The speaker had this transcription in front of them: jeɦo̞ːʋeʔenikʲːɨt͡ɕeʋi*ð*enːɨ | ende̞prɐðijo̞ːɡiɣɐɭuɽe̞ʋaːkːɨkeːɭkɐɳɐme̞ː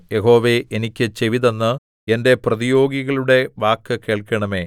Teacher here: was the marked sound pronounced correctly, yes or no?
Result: yes